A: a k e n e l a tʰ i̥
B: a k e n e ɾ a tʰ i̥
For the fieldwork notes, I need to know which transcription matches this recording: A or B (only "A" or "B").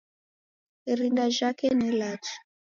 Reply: A